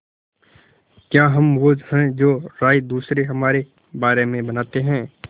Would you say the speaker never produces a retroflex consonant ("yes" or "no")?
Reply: yes